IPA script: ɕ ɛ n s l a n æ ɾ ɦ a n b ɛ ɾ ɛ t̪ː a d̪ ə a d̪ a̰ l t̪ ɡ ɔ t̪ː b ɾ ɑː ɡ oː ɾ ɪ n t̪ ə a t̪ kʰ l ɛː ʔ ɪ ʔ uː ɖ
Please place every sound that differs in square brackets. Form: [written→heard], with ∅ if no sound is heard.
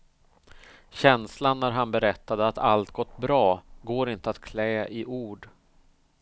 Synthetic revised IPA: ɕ ɛ n s l a [n→nː] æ ɾ ɦ a n b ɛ ɾ ɛ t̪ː a d̪ ə a [d̪→t̪] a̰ l t̪ ɡ ɔ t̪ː b ɾ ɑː ɡ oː ɾ ɪ n t̪ ə a t̪ kʰ l ɛː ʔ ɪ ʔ uː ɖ